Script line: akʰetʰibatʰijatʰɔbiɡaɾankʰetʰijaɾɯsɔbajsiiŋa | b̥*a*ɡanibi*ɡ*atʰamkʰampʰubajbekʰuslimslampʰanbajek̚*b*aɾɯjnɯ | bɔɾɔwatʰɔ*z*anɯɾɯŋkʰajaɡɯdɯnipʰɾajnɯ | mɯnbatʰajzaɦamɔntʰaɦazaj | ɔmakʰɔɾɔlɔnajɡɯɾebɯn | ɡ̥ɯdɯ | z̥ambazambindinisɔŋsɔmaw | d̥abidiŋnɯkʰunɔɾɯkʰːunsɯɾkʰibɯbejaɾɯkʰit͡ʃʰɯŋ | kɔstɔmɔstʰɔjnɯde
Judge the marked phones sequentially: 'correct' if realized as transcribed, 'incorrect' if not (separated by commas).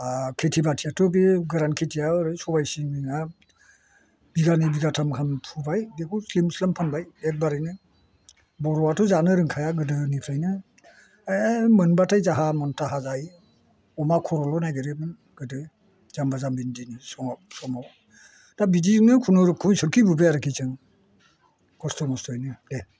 incorrect, correct, correct, correct